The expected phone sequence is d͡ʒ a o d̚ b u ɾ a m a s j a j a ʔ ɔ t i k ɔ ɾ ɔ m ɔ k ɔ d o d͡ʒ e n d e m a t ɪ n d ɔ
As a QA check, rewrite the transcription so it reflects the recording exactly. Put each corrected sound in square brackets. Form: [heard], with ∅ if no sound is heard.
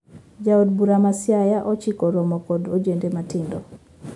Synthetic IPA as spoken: d͡ʒ a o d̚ b u ɾ a m a s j a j a ʔ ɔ [t͡ʃ] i k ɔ ɾ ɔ m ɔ k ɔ d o d͡ʒ e n d e m a t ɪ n d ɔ

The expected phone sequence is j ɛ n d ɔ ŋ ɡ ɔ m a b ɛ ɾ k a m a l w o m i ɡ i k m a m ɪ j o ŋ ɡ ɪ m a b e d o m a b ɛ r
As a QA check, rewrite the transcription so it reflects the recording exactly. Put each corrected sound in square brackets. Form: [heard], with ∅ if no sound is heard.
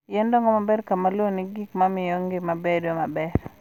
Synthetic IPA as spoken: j ɛ n d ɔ ŋ ɡ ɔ m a b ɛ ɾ k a m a l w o [n] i ɡ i k m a m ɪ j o ŋ ɡ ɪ m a b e d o m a b ɛ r

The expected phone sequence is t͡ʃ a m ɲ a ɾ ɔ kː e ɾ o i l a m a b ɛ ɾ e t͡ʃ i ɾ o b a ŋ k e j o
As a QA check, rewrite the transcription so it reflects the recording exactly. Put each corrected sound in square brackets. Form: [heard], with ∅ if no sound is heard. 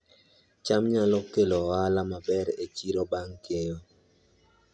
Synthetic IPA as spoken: t͡ʃ a m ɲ a [l] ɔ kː e [l] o [a] l a m a b ɛ ɾ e t͡ʃ i ɾ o b a ŋ k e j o

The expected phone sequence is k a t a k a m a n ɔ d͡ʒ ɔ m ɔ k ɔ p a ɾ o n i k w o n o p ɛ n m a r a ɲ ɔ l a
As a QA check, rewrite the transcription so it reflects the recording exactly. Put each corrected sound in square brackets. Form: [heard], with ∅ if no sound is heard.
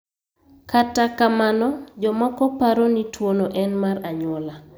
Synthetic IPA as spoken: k a t a k a m a n ɔ d͡ʒ ɔ m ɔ k ɔ p a ɾ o n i [t] w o n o [ʔ] ɛ n m a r a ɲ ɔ l a

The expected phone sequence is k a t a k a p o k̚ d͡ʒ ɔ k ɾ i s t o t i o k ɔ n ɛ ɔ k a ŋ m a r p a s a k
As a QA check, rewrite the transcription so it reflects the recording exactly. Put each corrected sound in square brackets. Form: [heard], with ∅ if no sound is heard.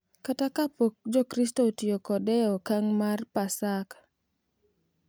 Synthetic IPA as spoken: k a t a k a p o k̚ d͡ʒ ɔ k ɾ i s t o t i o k ɔ [d] ɛ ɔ k a ŋ m a r p a s a k

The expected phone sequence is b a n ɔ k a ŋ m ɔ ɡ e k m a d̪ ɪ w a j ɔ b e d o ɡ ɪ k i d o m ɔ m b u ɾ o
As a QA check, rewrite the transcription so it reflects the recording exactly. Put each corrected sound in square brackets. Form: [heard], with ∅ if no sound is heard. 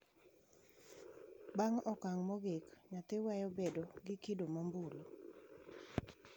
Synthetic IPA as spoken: b a [ŋ] ɔ k a ŋ m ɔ ɡ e k [ɲ] a [t̪] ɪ w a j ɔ b e d o ɡ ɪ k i d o m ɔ m b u [l] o

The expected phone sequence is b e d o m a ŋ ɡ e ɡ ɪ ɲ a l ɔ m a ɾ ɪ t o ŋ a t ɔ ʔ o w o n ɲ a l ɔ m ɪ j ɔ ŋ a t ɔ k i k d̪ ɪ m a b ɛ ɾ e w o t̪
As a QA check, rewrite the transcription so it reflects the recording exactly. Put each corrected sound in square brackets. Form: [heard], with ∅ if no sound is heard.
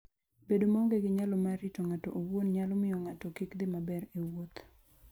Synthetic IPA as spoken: b e d o m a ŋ ɡ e ɡ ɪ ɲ a l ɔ m a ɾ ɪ t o ŋ a t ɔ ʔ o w o n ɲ a l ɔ m ɪ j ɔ ŋ a t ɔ k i k d̪ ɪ m a b ɛ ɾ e w o t̪

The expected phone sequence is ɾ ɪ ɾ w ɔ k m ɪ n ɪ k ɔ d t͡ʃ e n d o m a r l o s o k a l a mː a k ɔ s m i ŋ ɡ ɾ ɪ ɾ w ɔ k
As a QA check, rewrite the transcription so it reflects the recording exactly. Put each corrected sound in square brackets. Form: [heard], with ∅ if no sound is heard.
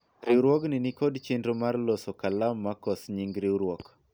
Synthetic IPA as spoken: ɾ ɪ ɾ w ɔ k [n] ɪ n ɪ k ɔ d t͡ʃ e n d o m a r l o s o k a l a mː a k ɔ s [ɲ] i ŋ ɡ ɾ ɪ ɾ w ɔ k

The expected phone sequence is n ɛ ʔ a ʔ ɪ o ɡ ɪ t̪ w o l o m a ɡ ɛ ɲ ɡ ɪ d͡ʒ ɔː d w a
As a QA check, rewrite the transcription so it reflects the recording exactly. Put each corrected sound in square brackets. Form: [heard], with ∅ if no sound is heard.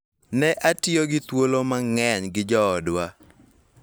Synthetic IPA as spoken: n ɛ ʔ a [t] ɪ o ɡ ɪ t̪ w o l o m a [ŋ] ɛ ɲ ɡ ɪ d͡ʒ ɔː d w a

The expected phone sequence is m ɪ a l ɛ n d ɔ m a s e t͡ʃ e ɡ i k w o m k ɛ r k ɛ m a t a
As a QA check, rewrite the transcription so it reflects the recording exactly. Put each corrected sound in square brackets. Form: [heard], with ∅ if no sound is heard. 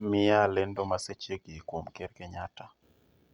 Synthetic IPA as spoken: m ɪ a l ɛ n d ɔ m a s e t͡ʃ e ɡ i k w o m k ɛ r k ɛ [ɲ] a t a

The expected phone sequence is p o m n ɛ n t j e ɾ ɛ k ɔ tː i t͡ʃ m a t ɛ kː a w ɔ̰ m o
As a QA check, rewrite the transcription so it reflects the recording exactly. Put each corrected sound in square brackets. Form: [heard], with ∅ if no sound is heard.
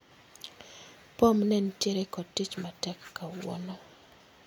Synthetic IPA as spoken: p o m n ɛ n t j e ɾ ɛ k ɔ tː i t͡ʃ m a t ɛ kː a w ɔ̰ [n] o

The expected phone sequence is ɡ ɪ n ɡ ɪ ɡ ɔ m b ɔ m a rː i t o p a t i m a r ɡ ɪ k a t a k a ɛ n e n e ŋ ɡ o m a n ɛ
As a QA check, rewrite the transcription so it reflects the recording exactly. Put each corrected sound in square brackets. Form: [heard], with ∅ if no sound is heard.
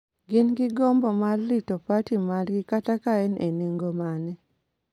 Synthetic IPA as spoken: ɡ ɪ n ɡ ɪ ɡ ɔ m b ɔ m a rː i t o p a t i m a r ɡ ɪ k a t a k a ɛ n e n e ŋ ɡ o m a n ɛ

